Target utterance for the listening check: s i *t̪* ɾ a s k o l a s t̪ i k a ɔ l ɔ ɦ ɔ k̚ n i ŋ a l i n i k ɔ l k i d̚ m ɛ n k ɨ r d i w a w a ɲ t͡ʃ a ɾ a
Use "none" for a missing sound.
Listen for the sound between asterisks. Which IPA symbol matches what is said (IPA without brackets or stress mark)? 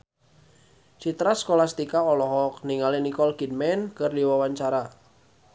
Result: t̪